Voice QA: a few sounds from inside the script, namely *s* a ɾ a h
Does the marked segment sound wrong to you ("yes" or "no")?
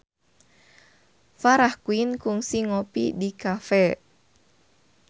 yes